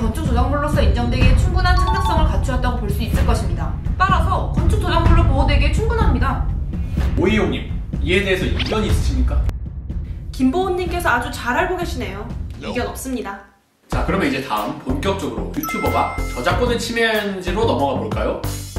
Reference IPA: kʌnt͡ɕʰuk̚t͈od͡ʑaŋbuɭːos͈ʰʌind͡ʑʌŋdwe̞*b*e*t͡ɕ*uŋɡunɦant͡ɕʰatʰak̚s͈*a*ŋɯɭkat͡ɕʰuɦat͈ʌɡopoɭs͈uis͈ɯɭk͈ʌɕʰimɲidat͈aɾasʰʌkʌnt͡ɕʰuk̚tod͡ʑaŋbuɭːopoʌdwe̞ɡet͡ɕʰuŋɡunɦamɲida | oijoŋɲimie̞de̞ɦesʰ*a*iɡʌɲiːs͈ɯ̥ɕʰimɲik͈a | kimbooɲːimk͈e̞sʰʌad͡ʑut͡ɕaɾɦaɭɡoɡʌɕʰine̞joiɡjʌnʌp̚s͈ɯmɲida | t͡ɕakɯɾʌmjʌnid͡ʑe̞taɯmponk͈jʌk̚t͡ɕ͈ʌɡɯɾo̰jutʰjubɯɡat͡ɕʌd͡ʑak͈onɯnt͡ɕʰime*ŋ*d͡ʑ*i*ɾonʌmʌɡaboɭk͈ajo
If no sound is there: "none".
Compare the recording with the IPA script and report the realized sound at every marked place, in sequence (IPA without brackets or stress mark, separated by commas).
ɡ, t͡ɕʰ, ʌ, ʌ, n, i